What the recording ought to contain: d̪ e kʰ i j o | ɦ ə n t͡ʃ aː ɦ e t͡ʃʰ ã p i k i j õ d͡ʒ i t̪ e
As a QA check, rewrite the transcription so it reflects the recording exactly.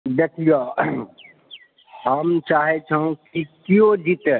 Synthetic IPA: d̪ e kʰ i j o | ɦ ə m t͡ʃ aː ɦ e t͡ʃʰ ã k i k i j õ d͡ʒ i t̪ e

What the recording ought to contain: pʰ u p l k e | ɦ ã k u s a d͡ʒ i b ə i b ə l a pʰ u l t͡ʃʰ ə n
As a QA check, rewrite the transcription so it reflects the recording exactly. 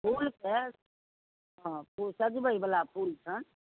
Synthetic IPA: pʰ u l k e | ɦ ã p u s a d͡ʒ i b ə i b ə l a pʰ u l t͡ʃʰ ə n

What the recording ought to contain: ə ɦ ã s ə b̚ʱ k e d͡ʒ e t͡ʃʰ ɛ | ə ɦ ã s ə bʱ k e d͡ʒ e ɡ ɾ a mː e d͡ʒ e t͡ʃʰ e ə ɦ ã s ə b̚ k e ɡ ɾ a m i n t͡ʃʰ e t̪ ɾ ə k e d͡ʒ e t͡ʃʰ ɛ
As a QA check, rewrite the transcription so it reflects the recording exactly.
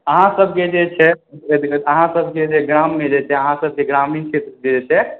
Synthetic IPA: ə ɦ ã s ə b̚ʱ k e d͡ʒ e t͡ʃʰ ɛ | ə ɦ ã s ə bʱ k e d͡ʒ e ɡ ɾ a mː e d͡ʒ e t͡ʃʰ ɛ ə ɦ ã s ə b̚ k e ɡ ɾ a m i n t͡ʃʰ e t̪ ɾ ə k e d͡ʒ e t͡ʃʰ ɛ

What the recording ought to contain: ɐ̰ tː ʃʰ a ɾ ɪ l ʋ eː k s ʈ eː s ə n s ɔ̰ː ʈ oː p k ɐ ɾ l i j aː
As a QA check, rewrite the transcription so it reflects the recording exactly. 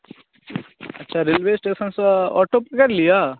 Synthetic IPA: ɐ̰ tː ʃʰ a ɾ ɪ l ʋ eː s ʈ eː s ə n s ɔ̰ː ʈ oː p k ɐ ɾ l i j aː

